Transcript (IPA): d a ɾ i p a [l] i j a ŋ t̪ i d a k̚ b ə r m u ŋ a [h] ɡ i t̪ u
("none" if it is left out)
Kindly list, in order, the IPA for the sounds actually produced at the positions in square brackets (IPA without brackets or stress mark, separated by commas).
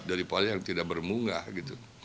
l, h